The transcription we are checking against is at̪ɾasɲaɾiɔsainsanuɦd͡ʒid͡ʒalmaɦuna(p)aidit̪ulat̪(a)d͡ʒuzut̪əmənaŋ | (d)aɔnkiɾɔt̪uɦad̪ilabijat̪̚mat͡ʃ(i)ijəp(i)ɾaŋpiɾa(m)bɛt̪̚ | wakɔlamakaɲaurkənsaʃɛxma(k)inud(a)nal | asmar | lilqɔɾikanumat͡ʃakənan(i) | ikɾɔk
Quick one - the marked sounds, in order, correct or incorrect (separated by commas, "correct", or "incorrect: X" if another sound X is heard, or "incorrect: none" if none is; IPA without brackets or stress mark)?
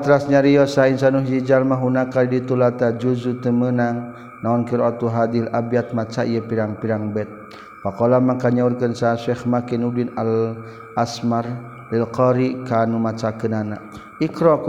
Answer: incorrect: k, correct, incorrect: n, incorrect: a, correct, incorrect: ŋ, correct, incorrect: i, incorrect: a